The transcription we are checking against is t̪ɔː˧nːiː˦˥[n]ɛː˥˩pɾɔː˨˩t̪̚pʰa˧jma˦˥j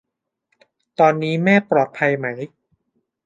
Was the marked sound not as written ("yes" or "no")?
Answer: yes